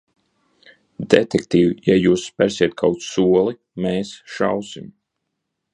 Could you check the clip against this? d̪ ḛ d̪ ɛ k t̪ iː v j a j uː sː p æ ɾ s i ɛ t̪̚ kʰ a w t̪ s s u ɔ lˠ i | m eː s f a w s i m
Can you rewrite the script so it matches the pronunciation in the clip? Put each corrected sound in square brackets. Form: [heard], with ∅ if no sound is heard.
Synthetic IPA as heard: d̪ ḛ [t̪] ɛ k t̪ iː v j a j uː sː p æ ɾ s i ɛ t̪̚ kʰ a w t̪ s s u ɔ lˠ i | m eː s [ʃ] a w s i m